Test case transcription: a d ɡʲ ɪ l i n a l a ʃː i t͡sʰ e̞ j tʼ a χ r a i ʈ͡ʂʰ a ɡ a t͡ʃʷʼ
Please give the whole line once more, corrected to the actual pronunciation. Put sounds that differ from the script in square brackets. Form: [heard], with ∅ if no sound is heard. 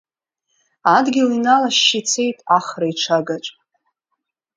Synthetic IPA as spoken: a d ɡʲ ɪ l i n a l a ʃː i t͡sʰ e̞ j tʼ a χ r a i ʈ͡ʂʰ a ɡ a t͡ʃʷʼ